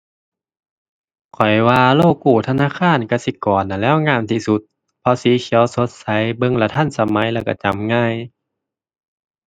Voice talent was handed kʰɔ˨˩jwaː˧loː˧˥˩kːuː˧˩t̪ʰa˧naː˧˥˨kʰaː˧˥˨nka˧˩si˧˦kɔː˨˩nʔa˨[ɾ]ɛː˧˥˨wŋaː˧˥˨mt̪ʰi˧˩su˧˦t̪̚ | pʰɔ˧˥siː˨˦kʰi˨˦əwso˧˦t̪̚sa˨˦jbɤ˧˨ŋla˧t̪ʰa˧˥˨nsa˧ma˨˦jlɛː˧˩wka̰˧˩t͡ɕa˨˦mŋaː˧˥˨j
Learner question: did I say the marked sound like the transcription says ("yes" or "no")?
no